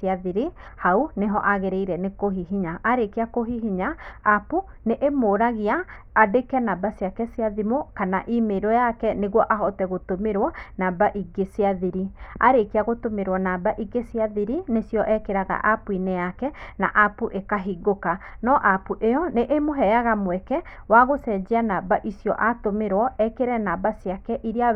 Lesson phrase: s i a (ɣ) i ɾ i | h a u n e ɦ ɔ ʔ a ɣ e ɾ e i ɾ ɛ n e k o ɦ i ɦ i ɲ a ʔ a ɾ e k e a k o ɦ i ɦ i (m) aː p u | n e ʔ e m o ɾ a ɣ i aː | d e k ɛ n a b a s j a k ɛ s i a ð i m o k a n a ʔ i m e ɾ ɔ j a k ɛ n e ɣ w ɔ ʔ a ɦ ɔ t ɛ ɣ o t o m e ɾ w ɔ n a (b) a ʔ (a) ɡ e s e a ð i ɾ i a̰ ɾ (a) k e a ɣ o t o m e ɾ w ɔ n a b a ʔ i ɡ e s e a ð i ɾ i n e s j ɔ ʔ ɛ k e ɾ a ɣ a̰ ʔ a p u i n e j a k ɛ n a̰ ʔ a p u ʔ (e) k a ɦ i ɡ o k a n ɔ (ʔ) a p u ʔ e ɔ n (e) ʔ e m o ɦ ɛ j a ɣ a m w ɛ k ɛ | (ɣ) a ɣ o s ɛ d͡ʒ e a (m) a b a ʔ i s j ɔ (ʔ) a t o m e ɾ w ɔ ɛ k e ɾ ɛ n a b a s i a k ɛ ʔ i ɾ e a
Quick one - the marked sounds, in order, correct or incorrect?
incorrect: ð, incorrect: ɲ, correct, incorrect: i, incorrect: e, correct, correct, correct, incorrect: w, incorrect: n, correct

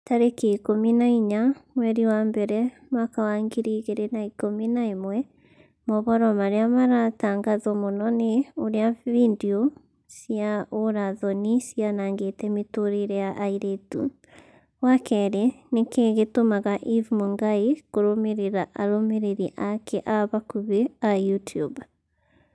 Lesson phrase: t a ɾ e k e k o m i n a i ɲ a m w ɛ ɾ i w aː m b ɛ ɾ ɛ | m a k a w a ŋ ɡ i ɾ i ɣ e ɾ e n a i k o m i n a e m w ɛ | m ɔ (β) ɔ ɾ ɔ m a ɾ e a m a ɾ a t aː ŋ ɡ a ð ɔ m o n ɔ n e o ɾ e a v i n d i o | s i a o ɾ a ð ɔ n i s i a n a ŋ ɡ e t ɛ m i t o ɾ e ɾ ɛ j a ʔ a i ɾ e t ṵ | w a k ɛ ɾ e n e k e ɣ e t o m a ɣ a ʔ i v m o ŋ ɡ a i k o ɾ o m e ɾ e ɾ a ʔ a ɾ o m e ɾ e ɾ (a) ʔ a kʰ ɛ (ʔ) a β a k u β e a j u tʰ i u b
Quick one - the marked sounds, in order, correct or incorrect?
correct, incorrect: i, correct

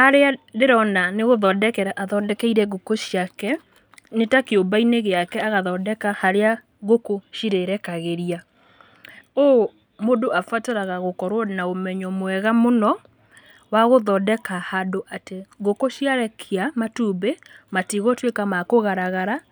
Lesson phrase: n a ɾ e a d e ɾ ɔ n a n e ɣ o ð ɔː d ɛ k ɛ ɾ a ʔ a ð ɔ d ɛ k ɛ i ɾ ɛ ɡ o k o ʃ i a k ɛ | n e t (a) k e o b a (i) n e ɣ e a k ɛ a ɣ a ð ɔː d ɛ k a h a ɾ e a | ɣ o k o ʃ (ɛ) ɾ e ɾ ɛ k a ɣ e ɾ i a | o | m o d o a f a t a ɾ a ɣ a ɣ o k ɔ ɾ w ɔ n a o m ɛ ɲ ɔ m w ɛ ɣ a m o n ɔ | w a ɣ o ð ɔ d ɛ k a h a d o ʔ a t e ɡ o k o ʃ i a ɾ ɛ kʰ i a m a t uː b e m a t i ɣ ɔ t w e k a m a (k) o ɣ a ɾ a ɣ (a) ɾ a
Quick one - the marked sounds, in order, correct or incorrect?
correct, correct, incorrect: i, correct, correct

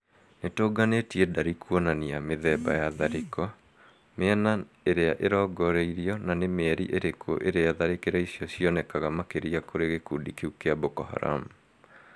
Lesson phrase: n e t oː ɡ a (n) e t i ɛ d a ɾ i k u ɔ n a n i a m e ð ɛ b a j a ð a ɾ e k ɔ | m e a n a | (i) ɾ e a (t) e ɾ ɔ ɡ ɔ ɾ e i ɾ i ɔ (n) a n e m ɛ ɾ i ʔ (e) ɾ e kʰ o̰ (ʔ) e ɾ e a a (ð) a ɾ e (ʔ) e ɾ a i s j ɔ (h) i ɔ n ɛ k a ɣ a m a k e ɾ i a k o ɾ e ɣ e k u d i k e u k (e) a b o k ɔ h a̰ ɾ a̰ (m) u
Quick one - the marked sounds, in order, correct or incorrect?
correct, incorrect: e, incorrect: ʔ, correct, correct, correct, correct, incorrect: k, incorrect: s, correct, correct

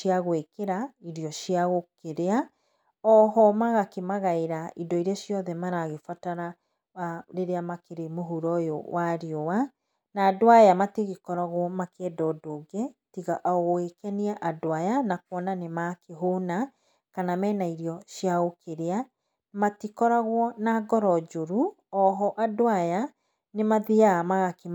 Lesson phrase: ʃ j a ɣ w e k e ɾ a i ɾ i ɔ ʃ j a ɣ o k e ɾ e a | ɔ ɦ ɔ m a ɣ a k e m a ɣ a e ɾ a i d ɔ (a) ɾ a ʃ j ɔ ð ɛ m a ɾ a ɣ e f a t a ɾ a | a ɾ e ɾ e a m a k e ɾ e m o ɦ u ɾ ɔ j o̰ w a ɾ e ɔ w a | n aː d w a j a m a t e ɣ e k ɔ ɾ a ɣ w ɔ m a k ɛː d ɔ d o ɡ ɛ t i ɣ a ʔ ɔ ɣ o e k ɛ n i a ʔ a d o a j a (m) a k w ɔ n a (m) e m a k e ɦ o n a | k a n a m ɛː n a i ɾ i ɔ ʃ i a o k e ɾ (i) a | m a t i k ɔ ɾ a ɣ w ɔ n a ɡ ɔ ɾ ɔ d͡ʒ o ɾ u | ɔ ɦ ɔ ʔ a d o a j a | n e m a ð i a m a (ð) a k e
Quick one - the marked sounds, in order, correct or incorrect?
incorrect: i, incorrect: n, incorrect: n, incorrect: e, incorrect: ɣ

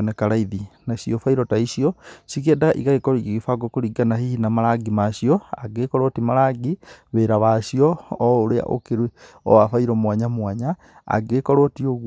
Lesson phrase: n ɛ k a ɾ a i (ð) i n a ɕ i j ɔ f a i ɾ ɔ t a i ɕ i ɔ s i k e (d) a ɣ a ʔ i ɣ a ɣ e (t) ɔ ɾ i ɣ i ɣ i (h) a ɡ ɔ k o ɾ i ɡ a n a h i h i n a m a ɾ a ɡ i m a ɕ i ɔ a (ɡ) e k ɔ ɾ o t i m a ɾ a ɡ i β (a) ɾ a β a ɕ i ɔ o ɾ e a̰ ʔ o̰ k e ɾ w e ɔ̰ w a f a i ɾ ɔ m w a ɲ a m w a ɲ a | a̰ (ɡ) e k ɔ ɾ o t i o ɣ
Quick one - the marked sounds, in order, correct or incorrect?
correct, correct, incorrect: k, incorrect: f, correct, incorrect: e, correct

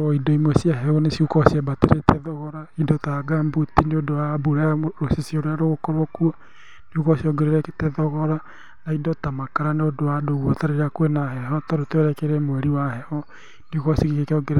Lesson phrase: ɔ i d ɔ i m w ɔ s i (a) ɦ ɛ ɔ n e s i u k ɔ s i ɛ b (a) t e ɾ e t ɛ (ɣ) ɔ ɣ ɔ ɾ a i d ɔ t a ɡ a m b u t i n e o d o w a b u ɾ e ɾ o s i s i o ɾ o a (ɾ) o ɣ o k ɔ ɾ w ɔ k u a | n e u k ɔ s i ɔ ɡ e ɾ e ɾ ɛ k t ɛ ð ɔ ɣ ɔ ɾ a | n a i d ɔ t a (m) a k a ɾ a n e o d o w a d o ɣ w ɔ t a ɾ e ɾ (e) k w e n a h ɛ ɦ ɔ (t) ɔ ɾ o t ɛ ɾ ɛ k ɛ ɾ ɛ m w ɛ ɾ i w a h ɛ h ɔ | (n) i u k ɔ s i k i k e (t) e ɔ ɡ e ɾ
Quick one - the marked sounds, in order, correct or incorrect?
correct, correct, incorrect: ð, correct, correct, incorrect: a, correct, correct, incorrect: k

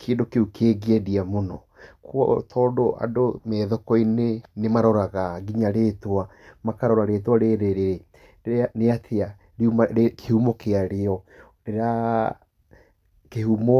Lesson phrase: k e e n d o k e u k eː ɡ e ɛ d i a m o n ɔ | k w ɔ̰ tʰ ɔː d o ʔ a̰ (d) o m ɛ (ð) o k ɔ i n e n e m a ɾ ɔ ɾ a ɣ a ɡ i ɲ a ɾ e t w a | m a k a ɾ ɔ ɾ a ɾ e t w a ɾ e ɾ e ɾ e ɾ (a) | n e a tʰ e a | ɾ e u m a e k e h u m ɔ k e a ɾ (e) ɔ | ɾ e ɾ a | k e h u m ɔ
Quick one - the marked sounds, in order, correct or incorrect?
correct, correct, incorrect: e, correct

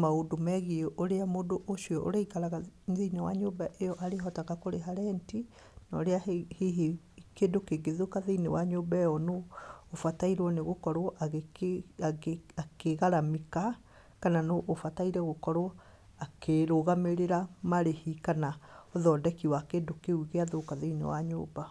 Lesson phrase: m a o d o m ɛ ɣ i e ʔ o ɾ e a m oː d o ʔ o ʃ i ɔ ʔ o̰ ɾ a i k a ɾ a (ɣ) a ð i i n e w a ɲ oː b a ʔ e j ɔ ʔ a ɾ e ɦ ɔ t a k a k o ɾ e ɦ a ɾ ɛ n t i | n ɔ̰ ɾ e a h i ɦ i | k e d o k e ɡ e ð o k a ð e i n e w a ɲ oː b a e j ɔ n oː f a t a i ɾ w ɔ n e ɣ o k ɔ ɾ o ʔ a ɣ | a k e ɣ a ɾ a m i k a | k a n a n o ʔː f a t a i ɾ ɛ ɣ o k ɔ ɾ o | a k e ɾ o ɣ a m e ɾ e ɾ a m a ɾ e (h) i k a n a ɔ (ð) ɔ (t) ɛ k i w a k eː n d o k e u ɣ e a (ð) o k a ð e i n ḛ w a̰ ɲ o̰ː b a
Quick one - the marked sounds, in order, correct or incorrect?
correct, correct, correct, incorrect: d, correct

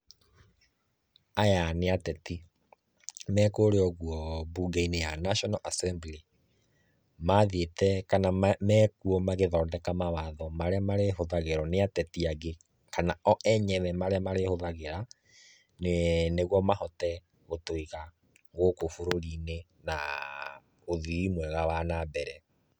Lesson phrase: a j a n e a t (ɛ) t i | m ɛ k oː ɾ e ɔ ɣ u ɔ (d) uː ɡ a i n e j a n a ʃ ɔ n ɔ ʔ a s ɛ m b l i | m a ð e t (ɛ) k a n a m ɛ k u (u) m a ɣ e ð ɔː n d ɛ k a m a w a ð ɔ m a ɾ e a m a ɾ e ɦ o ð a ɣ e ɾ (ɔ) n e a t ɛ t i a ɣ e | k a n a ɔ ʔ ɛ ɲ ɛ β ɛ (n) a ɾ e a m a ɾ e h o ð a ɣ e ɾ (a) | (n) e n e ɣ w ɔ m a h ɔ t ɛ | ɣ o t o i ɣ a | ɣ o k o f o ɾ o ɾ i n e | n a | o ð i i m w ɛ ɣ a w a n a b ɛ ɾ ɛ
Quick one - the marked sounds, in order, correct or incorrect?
correct, incorrect: b, correct, incorrect: ɔ, correct, incorrect: m, correct, correct

